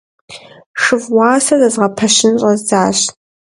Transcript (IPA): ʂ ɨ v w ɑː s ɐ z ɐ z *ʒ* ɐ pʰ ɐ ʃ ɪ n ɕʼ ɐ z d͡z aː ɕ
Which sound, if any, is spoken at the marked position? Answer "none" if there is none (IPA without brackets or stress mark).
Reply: ʁ